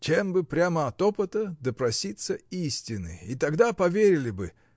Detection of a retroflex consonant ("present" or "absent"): absent